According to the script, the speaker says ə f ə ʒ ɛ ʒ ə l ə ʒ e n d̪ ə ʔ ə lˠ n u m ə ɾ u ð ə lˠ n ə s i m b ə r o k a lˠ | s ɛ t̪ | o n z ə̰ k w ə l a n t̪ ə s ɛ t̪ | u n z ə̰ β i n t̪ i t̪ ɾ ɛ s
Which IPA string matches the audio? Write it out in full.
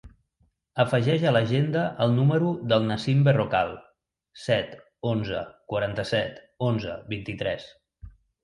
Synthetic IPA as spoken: ə f ə ʒ ɛ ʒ ə l ə ʒ e n d̪ ə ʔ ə lˠ n u m ə ɾ u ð ə lˠ n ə s i m b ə r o k a lˠ | s ɛ t̪ | o n z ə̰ k w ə ɾ a n t̪ ə s ɛ t̪ | o n z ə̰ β i n t̪ i t̪ ɾ ɛ s